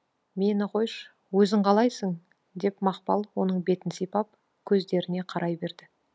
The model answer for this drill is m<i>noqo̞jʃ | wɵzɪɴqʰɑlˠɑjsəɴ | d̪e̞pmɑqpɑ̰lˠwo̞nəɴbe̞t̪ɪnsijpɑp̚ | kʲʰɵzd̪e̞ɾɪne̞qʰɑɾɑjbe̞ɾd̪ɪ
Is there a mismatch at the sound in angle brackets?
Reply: yes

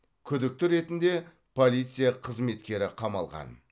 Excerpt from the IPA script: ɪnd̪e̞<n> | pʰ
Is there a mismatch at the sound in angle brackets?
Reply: yes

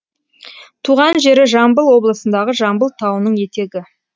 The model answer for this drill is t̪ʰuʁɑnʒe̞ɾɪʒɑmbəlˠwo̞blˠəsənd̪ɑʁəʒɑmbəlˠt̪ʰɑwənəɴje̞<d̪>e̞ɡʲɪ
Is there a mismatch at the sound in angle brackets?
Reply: yes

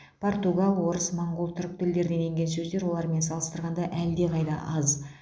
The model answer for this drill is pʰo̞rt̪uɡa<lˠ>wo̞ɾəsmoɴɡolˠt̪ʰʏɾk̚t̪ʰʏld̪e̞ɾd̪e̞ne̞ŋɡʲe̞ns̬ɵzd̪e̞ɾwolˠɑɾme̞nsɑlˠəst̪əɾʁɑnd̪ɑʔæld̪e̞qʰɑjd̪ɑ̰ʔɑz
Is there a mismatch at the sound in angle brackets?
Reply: no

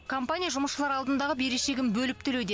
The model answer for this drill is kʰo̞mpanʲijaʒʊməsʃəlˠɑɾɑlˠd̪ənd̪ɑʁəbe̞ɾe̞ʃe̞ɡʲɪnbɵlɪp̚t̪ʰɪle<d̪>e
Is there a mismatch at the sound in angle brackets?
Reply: no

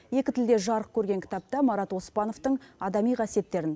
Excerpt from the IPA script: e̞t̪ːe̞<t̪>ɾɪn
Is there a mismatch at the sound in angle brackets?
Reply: yes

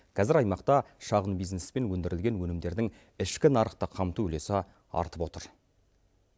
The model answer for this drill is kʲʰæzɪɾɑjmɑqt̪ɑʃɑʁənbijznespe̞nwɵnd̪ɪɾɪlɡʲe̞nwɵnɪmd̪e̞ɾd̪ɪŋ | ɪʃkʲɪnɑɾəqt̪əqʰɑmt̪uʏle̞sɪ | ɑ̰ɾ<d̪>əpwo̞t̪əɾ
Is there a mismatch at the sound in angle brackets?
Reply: yes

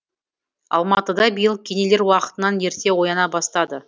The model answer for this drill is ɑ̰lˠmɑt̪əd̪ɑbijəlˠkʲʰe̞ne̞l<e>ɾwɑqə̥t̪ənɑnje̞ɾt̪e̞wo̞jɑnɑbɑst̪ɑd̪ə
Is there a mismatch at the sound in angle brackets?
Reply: no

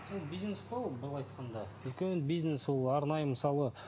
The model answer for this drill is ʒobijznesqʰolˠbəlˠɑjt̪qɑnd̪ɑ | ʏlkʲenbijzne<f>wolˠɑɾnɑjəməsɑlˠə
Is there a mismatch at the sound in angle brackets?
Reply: yes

